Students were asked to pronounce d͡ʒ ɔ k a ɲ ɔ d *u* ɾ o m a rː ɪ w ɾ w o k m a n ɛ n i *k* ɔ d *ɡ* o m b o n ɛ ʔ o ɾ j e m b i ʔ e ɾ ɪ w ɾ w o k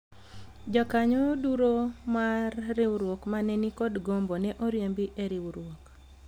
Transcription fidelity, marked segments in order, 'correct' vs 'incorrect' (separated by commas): correct, correct, correct